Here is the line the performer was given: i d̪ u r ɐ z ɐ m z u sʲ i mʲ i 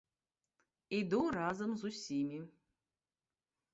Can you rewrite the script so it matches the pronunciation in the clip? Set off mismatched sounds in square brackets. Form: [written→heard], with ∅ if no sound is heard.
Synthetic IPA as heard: i d̪ u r [ɐ→a] z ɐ m z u sʲ i mʲ i